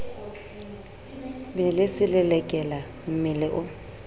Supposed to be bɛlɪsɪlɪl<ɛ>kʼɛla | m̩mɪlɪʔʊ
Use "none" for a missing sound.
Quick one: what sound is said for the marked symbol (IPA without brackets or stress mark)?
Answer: ɛ